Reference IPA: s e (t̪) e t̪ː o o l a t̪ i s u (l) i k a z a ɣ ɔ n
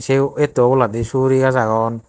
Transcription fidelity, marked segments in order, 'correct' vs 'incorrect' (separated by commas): incorrect, incorrect